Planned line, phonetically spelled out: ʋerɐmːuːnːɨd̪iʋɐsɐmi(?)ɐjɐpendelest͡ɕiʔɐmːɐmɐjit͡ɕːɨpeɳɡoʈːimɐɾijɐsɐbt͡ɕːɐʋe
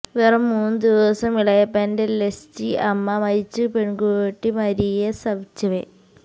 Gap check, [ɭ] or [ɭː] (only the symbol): ɭ